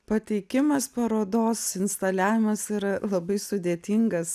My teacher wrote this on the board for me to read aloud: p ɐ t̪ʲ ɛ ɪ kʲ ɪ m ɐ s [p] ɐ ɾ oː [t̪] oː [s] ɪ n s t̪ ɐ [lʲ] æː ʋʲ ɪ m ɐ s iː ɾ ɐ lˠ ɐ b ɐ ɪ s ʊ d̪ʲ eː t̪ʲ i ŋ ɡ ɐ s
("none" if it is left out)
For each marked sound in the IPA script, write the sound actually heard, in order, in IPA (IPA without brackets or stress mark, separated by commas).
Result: p, d̪, s, lʲ